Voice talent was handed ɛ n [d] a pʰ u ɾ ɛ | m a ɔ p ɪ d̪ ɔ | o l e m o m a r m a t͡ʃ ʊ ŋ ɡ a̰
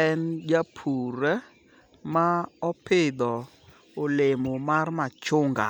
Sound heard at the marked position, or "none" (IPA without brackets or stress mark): d͡ʒ